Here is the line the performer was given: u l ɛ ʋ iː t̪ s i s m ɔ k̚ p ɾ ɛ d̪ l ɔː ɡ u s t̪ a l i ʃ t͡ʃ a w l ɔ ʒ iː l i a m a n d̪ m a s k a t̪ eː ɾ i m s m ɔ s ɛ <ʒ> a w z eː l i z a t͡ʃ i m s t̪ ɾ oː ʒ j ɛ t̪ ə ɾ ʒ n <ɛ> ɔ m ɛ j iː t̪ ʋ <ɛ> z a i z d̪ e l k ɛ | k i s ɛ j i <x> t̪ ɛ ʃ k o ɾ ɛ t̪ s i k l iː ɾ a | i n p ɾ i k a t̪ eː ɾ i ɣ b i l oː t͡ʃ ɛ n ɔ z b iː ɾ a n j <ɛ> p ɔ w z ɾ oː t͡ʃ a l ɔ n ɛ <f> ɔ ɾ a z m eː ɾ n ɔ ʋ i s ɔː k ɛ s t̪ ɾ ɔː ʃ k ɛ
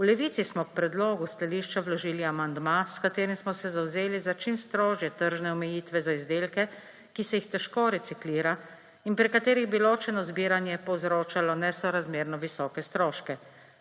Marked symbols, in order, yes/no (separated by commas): no, yes, yes, yes, yes, no